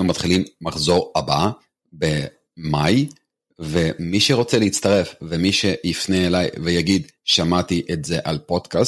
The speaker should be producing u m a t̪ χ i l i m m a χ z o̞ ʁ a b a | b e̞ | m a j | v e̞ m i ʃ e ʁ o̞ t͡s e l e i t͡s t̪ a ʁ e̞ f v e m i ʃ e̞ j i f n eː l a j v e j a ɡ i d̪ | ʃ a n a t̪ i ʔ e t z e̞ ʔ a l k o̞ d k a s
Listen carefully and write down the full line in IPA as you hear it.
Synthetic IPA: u m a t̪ χ i l i m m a χ z o̞ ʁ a b a | b e̞ | m a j | v e̞ m i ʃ e ʁ o̞ t͡s e l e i t͡s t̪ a ʁ e̞ f v e m i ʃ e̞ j i f n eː l a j v e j a ɡ i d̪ | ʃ a m a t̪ i ʔ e t z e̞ ʔ a l p o̞ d k a s